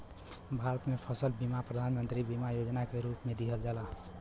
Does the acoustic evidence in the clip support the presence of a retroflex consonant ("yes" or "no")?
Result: no